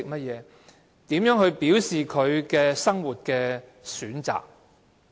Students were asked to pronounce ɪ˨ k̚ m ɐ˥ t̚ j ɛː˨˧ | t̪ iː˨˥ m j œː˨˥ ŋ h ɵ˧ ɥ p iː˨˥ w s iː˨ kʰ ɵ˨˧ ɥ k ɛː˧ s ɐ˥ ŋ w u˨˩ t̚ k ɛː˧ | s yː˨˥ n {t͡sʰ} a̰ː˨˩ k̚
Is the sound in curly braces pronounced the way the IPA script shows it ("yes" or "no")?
no